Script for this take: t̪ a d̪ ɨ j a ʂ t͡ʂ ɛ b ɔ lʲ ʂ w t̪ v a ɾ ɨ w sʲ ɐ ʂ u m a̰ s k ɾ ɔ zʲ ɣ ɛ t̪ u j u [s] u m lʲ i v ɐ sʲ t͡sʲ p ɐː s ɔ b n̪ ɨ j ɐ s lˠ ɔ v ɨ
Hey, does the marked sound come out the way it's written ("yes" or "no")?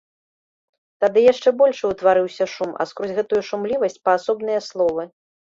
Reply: no